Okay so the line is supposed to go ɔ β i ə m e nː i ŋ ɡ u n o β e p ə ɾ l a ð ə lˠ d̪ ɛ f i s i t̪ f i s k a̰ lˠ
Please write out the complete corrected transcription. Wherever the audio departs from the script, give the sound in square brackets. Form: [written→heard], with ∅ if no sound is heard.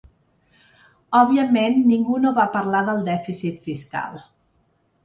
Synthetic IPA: ɔ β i ə m e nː i ŋ ɡ u n o β [e→a] p ə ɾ l a ð ə lˠ d̪ ɛ f i s i t̪ f i s k a̰ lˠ